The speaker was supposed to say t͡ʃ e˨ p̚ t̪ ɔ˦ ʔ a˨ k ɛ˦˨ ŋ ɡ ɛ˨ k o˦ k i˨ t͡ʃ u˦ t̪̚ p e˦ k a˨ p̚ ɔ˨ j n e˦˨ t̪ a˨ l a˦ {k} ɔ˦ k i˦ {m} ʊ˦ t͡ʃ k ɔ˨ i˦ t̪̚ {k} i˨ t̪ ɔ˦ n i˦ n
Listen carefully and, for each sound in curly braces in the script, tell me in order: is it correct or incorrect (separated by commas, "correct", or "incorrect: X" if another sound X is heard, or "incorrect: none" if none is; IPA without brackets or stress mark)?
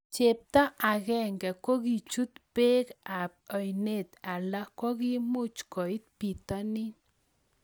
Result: correct, correct, incorrect: p